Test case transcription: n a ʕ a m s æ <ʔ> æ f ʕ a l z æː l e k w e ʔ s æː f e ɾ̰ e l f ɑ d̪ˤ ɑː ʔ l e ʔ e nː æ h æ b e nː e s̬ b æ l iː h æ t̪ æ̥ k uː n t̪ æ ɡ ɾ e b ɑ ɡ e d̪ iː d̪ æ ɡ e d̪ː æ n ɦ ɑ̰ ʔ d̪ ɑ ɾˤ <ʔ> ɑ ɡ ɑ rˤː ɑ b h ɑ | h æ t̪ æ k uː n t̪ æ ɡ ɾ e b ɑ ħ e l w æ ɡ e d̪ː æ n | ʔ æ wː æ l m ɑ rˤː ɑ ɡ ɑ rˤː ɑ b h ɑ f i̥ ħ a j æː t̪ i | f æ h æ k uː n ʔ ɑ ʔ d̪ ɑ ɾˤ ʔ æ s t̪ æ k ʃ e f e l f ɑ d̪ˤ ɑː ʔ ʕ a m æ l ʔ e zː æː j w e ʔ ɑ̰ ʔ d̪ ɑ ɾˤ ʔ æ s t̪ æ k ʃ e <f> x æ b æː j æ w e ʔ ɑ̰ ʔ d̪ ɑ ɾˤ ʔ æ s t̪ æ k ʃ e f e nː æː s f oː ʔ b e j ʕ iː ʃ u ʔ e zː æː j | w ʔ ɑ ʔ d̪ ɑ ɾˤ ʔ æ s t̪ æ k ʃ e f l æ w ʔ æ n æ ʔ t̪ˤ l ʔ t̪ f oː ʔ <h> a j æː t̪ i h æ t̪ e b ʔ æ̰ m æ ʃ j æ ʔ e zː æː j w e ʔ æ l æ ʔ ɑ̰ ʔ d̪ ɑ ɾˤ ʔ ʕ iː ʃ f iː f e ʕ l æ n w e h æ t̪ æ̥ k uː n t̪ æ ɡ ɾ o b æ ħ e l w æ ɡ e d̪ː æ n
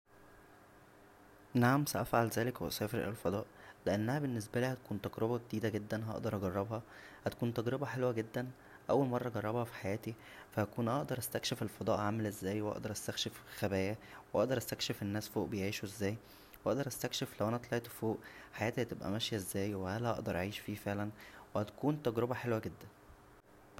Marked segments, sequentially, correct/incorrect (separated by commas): correct, correct, correct, incorrect